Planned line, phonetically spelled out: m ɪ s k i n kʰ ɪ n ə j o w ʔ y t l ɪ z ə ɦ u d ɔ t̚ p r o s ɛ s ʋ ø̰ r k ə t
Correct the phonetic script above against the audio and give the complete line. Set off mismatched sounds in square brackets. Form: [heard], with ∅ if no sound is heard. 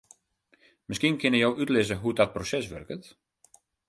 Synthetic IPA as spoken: m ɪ s k i n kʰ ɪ n ə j o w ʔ y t l ɪ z ə ɦ u d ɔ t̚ p r o s ɛ s ʋ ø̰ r k ə t